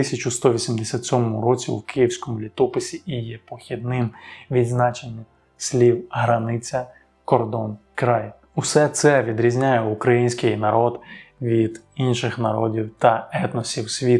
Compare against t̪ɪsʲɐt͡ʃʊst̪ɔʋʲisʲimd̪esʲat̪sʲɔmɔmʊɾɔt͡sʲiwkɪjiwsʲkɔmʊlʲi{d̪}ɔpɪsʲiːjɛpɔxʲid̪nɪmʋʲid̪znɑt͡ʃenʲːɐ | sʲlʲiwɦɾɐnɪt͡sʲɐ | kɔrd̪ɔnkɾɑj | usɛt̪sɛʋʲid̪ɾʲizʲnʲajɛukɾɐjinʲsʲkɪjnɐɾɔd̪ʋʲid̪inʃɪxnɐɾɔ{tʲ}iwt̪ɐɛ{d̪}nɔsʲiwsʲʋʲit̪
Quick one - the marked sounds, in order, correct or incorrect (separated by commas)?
incorrect, incorrect, incorrect